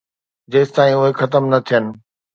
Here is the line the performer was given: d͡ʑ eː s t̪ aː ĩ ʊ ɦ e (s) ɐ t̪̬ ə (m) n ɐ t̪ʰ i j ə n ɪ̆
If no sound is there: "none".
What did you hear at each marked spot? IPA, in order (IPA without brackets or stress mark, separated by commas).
x, m